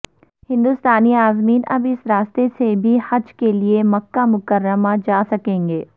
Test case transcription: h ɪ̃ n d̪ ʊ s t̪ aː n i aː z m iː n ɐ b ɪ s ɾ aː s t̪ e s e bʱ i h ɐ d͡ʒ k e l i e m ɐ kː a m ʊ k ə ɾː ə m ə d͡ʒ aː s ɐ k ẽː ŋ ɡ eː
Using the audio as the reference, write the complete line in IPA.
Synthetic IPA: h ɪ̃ n d̪ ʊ s t̪ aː n i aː z m iː n ɐ b ɪ s ɾ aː s t̪ e s e bʱ i h ɐ d͡ʒ k e l i e m ɐ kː a m ʊ k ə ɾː ə m a d͡ʒ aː s ɐ k ẽː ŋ ɡ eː

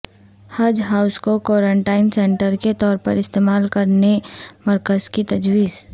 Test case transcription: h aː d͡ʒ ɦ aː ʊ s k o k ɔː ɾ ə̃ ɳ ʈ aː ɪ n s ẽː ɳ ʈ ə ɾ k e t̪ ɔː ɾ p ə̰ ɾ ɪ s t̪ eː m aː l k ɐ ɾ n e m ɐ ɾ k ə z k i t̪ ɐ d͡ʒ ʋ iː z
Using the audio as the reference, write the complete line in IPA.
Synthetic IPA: h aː d͡ʒ ɦ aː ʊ s k o k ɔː ɾ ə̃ ɳ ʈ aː ɪ n s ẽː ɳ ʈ ə ɾ k e t̪ ɔː ɾ p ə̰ ɾ ɪ s t̪ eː m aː l k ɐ ɾ n e m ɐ ɾ k ə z k i t̪ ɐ d͡ʒ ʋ iː z

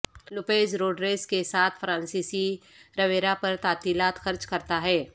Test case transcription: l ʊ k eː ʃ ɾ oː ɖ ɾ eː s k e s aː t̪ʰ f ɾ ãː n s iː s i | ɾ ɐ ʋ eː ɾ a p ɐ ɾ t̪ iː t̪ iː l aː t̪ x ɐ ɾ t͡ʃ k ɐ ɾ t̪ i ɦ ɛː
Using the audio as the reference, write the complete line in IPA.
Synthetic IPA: l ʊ p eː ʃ ɾ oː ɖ ɾ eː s k e s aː t̪ʰ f ɾ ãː n s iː s i | ɾ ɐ ʋ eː ɾ a p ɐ ɾ t̪ aː t̪ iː l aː t̪ x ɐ ɾ t͡ʃ k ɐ ɾ t̪ a ɦ ɛː

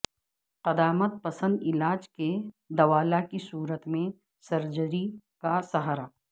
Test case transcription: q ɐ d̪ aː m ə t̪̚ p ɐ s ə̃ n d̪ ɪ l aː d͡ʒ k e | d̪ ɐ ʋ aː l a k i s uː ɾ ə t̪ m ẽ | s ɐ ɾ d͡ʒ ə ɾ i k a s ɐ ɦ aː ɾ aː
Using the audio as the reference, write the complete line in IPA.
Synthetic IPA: q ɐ d̪ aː m ə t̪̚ p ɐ s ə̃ n d̪ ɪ l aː d͡ʒ k e | d̪ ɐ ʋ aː l a k i s uː ɾ ə t̪ m ẽ | s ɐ ɾ d͡ʒ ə ɾ i k a s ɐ ɦ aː ɾ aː

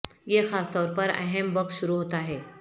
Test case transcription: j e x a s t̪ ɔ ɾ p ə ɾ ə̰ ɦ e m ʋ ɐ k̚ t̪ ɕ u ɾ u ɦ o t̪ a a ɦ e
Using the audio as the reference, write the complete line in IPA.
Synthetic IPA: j e x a s t̪ ɔ ɾ p ə ɾ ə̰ ɦ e m ʋ ə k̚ t̪ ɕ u ɾ u ɦ o t̪ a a ɦ e

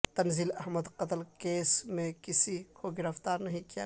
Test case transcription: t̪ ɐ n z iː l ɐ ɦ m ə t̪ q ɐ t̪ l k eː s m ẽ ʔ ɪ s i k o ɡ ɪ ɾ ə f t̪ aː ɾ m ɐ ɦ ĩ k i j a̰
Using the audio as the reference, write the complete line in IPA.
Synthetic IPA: t̪ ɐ n z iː l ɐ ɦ m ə d̪ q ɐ t̪ l k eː s m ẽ k ɪ s i k o ɡ ɪ ɾ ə f t̪ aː ɾ n ɐ ɦ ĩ k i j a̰

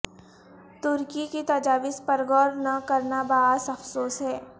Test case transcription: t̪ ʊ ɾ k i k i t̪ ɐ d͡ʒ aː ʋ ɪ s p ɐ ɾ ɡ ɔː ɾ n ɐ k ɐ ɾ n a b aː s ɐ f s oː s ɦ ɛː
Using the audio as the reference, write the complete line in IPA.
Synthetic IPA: t̪ ʊ ɾ k i k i t̪ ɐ d͡ʒ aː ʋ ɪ s p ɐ ɾ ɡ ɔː ɾ n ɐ k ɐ ɾ n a b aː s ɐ f s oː s ɦ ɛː

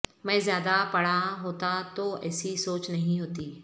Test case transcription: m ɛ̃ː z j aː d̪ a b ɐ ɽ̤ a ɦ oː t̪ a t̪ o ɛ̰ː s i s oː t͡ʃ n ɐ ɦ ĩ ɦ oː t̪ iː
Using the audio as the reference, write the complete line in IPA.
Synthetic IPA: m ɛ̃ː z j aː d̪ a p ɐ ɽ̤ a ɦ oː t̪ a t̪ o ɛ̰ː s i s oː t͡ʃ n ɐ ɦ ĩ ɦ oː t̪ iː

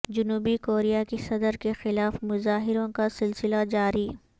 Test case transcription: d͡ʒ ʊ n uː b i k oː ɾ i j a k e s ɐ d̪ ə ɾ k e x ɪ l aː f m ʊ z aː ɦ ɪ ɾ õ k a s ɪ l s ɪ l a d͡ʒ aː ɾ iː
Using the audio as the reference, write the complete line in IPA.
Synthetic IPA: d͡ʒ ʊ n uː b i k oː ɾ i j a k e s ɐ d̪ ə ɾ k e x ɪ l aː f m ʊ z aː ɦ ɪ ɾ õ k a s ɪ l s ɪ l a d͡ʒ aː ɾ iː

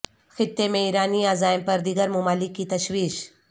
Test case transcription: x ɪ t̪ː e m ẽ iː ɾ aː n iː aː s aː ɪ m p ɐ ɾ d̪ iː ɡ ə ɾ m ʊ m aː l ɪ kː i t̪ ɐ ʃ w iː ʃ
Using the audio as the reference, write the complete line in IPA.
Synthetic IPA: x ɪ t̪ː e m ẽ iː ɾ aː n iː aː z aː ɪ m p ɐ ɾ d̪ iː ɡ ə ɾ m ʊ m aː l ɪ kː i t̪ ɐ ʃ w iː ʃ

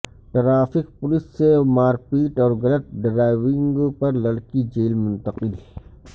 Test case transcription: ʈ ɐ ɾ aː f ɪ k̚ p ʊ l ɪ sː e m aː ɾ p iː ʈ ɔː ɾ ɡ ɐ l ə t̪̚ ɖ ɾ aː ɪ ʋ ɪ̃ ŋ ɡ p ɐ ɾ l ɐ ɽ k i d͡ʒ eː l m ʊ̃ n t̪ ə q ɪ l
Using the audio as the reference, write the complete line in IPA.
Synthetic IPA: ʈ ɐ ɾ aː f ɪ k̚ p ʊ l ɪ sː e m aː ɾ p iː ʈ ɔː ɾ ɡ ɐ l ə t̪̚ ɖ ɾ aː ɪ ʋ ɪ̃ ŋ ɡ p ɐ ɾ l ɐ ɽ k i d͡ʒ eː l m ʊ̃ n t̪ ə q ɪ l

